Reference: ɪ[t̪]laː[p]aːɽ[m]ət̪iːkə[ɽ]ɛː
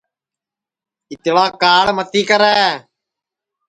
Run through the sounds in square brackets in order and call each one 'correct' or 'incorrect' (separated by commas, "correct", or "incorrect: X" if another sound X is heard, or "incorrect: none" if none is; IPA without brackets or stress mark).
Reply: correct, incorrect: k, correct, incorrect: ɾ